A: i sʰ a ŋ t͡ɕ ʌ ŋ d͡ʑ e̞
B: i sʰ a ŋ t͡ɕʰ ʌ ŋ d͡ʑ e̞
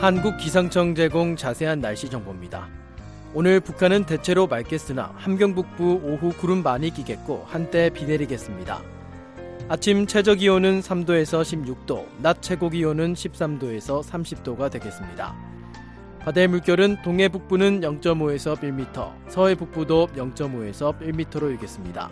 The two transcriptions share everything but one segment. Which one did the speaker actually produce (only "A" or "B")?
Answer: B